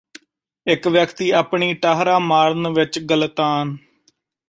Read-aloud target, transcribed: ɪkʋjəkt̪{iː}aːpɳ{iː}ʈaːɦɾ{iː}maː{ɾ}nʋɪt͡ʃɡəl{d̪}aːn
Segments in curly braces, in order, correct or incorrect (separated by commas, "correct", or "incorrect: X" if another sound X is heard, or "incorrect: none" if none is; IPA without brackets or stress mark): correct, correct, incorrect: aː, correct, incorrect: t̪